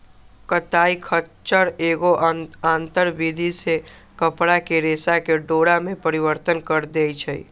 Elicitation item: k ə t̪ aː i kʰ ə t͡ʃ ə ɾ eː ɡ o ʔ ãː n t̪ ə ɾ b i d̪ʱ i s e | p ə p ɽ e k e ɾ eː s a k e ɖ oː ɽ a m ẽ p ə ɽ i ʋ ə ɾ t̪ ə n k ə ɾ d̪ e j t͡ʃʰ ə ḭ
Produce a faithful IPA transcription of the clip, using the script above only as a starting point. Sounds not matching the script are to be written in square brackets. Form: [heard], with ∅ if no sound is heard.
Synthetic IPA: k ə t̪ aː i kʰ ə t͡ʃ ə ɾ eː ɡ o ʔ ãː n t̪ ə ɾ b i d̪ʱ i s e | [k] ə p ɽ [a] k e ɾ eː s a k e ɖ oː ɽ a m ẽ p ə [ɾ] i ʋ ə ɾ t̪ ə n k ə ɾ d̪ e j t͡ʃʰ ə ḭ